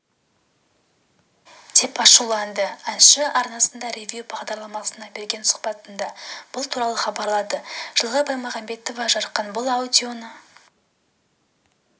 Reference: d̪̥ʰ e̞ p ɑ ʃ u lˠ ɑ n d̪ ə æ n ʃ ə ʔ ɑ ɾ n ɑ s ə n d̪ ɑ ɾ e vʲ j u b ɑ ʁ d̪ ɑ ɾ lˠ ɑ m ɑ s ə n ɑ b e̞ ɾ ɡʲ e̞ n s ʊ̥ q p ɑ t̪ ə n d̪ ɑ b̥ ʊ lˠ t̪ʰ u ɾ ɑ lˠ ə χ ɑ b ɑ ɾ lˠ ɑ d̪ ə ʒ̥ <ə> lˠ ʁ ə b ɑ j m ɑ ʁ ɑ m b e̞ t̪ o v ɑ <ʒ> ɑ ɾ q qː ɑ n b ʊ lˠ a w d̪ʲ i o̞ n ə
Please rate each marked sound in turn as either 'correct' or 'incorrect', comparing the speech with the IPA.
correct, correct

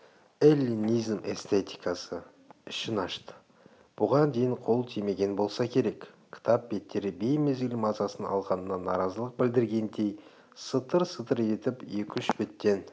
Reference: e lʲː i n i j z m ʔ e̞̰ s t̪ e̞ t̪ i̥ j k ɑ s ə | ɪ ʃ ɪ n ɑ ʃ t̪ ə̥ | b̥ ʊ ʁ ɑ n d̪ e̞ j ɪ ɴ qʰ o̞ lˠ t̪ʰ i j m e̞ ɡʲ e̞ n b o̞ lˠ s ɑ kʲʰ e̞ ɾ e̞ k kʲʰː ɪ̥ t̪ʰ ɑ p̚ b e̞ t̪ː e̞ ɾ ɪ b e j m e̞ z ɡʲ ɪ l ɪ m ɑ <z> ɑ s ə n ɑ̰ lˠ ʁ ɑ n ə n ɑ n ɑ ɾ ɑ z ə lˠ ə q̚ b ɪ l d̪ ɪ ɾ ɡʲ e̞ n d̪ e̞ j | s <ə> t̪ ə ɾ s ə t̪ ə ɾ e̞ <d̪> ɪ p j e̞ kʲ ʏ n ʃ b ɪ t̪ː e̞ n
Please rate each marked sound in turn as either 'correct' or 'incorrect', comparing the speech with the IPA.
correct, correct, incorrect: t̪

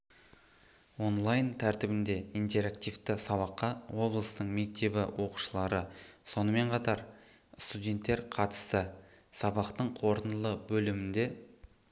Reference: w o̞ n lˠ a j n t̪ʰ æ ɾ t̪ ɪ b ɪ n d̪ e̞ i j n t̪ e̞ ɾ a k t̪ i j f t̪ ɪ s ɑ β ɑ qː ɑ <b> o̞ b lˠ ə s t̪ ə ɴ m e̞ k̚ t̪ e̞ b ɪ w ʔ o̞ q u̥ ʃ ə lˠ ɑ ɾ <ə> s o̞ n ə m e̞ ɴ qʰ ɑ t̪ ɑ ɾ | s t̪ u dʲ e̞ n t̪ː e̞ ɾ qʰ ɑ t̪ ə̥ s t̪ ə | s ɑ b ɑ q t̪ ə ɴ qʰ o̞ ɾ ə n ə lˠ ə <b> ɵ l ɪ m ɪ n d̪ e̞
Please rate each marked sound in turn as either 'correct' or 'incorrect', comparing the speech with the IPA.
incorrect: w, correct, correct

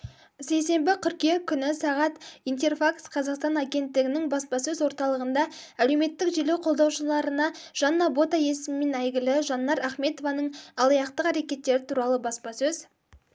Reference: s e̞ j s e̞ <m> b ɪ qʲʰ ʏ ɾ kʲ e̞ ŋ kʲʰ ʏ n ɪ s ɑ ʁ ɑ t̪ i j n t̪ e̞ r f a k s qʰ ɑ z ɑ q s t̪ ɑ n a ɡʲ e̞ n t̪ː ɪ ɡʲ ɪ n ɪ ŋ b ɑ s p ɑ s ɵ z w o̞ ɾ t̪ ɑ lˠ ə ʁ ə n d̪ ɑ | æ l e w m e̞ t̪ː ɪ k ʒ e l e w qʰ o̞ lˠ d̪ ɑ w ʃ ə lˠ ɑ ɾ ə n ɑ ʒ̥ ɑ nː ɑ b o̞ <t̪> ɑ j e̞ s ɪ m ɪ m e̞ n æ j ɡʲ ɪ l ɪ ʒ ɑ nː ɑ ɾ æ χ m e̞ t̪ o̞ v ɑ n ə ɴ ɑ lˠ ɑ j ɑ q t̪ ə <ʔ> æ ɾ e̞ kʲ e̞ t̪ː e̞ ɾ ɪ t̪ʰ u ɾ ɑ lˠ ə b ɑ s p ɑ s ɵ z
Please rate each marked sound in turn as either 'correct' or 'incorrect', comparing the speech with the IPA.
correct, correct, incorrect: q

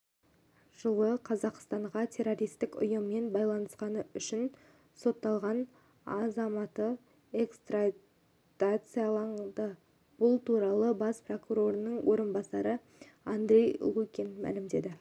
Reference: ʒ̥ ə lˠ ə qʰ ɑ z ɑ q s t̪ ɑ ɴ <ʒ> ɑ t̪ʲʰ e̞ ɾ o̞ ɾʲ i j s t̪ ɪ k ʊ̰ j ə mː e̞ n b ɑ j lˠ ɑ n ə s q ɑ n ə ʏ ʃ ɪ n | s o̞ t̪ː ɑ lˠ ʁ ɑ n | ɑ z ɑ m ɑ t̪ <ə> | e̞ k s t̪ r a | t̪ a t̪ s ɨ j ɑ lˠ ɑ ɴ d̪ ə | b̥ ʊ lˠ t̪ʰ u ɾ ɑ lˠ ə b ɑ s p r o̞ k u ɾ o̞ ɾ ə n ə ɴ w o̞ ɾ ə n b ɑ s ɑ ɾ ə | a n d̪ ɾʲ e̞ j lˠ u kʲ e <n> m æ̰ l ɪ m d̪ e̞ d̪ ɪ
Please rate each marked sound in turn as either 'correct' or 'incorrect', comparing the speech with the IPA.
incorrect: ʁ, correct, correct

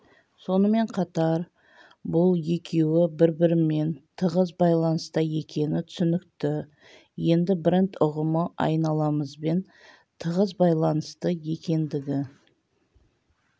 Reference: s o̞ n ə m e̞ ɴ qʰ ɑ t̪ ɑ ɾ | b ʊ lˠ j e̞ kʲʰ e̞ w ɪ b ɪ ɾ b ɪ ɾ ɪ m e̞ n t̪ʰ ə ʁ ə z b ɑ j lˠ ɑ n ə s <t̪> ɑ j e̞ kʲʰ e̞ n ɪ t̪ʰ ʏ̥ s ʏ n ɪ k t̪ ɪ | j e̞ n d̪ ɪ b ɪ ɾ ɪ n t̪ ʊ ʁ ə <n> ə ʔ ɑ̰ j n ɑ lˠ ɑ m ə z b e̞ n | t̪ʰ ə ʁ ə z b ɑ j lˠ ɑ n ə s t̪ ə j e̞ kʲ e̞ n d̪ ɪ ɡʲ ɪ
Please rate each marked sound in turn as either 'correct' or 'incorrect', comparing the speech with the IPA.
correct, incorrect: m

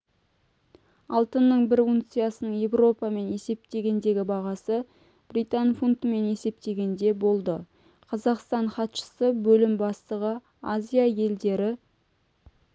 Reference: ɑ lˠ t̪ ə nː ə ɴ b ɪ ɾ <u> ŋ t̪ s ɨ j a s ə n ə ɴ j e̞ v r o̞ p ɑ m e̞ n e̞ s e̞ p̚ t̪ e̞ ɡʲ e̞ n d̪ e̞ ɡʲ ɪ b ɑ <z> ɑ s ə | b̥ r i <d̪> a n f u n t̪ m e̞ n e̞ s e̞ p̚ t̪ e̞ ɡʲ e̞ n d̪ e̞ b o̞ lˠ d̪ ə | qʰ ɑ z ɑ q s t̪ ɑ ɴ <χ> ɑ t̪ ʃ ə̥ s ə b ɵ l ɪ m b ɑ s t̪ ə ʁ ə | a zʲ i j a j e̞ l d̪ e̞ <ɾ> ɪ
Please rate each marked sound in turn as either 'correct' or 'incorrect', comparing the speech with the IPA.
correct, incorrect: ʁ, incorrect: t̪, correct, correct

